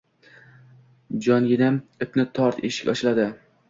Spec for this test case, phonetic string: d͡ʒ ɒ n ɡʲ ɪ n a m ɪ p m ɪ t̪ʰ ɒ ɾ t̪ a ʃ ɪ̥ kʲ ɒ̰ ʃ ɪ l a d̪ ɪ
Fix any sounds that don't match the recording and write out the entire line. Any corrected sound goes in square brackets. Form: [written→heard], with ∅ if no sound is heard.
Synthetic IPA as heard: d͡ʒ ɒ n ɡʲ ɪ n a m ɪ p [m→n] ɪ t̪ʰ ɒ ɾ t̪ [a→e] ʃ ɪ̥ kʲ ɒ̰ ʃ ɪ l a d̪ ɪ